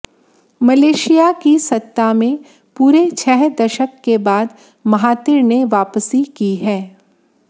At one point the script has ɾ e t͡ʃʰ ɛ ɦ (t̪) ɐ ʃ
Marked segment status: incorrect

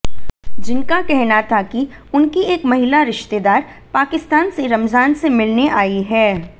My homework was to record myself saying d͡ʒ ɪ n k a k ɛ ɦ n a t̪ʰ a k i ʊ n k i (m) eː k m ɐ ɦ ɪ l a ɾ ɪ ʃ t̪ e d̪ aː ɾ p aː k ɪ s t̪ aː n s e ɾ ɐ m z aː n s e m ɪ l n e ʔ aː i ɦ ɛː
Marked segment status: incorrect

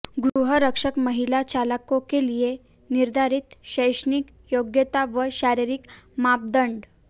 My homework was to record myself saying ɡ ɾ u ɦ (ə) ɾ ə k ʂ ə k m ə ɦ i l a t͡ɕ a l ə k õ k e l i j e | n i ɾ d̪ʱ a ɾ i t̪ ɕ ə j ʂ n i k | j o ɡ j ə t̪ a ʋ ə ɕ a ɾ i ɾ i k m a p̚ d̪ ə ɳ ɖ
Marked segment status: correct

